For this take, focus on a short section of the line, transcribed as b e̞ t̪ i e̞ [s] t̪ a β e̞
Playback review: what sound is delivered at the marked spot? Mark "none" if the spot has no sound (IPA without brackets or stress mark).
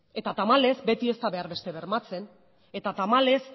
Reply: s